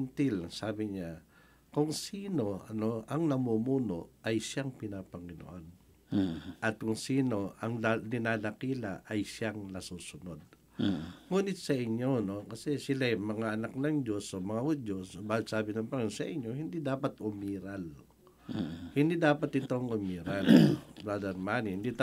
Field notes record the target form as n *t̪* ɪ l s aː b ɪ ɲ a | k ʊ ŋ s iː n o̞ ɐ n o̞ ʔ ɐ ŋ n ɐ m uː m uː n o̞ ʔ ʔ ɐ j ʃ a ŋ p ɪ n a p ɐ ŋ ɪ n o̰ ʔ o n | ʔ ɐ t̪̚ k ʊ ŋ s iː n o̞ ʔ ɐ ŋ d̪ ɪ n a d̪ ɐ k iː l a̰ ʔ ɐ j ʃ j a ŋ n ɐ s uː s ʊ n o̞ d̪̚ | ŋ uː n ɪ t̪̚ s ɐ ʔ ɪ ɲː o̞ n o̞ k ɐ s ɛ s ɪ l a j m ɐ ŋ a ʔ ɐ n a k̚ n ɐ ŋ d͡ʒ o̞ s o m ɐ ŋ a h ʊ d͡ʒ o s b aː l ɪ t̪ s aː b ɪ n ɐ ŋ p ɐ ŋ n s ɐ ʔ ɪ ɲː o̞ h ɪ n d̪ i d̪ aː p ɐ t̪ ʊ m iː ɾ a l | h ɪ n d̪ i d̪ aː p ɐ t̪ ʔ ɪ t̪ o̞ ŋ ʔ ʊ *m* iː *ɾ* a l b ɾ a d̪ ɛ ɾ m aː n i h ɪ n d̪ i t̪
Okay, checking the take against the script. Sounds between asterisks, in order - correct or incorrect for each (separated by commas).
correct, correct, correct